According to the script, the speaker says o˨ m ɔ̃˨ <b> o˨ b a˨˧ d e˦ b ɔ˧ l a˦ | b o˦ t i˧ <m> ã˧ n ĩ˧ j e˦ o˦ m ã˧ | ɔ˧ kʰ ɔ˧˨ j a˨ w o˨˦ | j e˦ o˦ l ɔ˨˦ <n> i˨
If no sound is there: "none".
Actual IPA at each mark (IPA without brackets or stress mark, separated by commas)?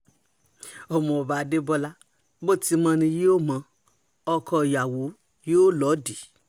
none, m, d